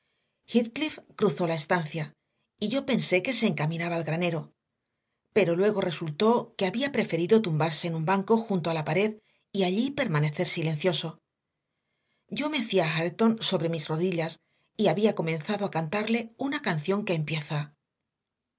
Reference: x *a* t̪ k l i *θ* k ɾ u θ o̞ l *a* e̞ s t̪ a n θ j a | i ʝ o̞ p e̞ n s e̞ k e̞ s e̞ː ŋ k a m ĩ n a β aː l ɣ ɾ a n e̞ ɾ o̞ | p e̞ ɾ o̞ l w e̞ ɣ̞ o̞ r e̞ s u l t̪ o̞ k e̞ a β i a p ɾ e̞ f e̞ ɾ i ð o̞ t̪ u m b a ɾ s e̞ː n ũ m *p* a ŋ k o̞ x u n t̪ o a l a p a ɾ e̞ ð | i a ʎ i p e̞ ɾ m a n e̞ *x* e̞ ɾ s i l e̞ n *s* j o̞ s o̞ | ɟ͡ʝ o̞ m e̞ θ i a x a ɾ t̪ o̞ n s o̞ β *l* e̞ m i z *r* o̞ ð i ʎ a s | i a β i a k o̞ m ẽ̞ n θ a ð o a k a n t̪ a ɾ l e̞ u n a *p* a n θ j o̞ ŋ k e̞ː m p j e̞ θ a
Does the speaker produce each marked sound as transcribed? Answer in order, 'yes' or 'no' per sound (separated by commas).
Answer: no, no, yes, no, no, no, no, yes, no